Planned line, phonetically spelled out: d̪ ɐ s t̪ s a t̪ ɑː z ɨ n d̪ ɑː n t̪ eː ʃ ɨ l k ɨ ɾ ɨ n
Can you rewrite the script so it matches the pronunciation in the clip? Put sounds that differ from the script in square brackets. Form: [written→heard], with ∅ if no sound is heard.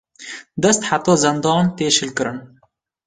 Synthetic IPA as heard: d̪ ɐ s t̪ [s→ħ] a t̪ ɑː z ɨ n d̪ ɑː n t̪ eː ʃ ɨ l k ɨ ɾ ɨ n